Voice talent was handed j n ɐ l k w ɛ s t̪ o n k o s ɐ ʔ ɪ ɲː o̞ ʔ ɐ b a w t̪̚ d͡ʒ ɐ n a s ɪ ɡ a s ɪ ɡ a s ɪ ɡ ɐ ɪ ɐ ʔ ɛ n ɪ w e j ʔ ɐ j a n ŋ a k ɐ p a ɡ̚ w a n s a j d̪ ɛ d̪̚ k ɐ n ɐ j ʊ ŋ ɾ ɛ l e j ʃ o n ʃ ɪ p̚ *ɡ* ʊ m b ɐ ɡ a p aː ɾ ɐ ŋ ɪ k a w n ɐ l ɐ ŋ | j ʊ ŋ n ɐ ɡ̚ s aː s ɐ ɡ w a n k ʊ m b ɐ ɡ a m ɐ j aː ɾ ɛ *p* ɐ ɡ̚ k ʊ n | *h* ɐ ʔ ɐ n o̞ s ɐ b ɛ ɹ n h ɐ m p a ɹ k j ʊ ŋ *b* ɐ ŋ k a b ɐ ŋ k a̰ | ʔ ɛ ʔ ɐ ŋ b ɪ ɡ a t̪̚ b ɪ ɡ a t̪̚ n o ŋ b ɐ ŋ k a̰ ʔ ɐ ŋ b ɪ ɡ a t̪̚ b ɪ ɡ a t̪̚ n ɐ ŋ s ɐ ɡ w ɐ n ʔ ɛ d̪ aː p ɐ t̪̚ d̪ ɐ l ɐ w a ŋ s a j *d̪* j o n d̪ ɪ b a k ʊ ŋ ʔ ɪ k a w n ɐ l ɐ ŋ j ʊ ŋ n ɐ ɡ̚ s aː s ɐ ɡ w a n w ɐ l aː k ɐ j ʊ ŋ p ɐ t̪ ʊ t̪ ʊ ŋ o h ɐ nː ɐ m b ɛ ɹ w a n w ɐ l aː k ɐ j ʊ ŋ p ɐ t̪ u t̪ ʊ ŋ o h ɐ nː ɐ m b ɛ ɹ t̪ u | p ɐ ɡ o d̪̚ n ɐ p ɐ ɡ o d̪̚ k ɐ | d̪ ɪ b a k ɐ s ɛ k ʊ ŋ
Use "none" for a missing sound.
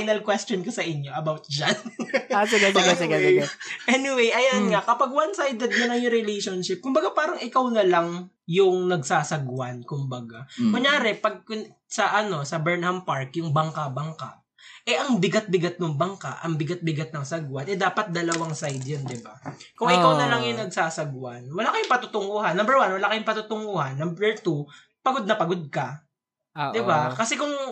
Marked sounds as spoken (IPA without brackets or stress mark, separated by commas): k, p, s, b, d̪